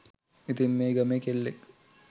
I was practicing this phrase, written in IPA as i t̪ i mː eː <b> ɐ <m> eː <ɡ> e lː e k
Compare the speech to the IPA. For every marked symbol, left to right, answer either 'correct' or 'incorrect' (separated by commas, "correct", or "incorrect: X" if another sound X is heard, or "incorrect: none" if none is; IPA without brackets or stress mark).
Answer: incorrect: ɡ, correct, incorrect: k